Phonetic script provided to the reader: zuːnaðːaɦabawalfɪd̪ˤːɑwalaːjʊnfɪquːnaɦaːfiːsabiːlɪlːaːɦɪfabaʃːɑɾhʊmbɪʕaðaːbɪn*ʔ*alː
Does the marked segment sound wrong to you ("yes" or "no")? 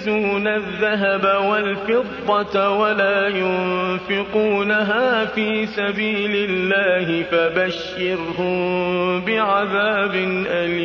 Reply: no